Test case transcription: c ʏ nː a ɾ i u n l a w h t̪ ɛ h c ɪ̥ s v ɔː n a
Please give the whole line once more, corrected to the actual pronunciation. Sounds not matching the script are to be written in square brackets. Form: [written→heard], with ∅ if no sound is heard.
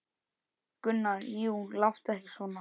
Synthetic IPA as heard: [c→k] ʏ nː a ɾ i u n l a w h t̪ ɛ h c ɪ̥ s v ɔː n a